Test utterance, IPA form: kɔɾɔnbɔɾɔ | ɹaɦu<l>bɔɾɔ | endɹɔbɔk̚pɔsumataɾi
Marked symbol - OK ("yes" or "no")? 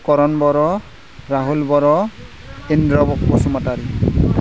yes